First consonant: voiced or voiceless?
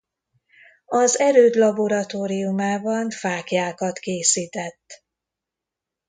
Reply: voiced